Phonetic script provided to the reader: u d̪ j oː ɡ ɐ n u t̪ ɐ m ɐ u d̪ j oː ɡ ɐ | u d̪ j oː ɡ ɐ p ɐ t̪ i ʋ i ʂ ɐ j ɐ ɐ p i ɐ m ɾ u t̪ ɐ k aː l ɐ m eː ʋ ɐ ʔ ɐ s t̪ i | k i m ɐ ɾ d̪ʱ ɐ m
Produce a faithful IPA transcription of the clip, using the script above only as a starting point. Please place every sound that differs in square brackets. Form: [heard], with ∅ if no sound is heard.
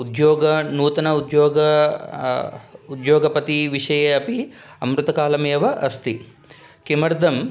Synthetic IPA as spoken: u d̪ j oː ɡ ɐ n [uː] t̪ ɐ [n] ɐ u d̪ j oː ɡ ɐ | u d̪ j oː ɡ ɐ p ɐ t̪ i ʋ i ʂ ɐ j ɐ ɐ p i ɐ m ɾ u t̪ ɐ k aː l ɐ m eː ʋ ɐ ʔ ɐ s t̪ i | k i m ɐ ɾ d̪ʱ ɐ m